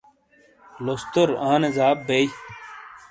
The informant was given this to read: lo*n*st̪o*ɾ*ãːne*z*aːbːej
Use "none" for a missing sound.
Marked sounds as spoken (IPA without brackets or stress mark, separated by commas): none, ɾ, z